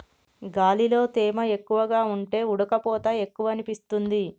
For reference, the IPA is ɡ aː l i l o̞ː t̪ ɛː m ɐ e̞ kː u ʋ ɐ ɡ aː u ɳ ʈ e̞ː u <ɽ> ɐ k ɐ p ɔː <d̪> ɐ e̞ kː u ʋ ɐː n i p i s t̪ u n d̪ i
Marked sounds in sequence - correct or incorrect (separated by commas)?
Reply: correct, incorrect